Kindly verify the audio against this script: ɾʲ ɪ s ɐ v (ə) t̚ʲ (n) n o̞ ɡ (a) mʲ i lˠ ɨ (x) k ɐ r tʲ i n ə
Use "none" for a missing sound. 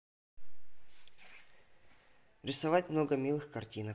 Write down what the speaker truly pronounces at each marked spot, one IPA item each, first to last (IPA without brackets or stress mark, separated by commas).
a, m, ə, x